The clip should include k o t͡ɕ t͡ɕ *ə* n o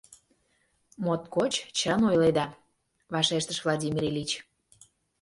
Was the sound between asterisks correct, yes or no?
yes